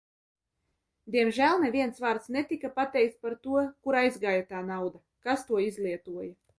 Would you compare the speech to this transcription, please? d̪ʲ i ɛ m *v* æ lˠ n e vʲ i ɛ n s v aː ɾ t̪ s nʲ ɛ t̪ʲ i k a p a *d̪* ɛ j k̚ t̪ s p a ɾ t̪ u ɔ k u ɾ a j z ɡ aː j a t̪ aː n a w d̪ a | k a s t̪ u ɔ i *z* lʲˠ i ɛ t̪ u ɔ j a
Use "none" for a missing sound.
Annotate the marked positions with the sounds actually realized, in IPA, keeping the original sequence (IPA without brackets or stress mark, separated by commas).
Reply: ʒ, t̪, z